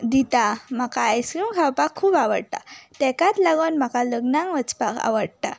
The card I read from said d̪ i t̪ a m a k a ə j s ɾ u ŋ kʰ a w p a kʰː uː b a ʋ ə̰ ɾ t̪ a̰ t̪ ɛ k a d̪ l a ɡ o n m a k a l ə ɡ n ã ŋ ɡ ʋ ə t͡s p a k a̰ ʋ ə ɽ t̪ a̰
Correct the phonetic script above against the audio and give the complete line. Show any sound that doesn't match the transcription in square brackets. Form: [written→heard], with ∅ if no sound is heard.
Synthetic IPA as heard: d̪ i t̪ a m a k a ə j s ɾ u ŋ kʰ a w p a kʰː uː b a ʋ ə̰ [ɾ→ɽ] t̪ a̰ t̪ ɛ k a [d̪→t̪] l a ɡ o n m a k a l ə ɡ n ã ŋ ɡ ʋ ə t͡s p a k a̰ ʋ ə ɽ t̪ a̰